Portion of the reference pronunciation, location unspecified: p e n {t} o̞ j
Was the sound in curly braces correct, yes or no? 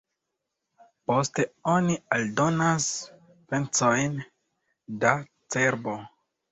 no